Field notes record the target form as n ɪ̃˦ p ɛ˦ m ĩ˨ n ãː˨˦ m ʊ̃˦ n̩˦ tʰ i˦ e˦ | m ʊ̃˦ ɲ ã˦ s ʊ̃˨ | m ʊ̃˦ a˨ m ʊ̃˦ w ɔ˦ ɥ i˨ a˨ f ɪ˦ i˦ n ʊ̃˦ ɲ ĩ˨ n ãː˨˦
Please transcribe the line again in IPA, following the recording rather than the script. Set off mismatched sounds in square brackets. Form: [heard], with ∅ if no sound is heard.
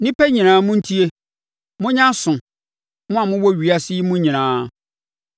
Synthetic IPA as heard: n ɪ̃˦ p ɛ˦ [ɲ] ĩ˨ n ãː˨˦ m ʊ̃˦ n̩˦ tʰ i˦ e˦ | m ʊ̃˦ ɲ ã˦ s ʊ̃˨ | m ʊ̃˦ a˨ m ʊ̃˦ w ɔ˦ ɥ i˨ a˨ [s] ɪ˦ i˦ [m] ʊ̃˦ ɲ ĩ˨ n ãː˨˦